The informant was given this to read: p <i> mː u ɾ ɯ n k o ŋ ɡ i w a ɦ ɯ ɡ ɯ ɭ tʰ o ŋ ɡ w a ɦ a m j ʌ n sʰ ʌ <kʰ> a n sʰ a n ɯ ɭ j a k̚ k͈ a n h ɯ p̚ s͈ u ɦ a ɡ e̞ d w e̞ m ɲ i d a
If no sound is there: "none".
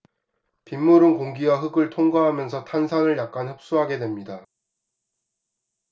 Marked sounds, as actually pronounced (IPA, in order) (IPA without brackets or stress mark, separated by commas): i, tʰ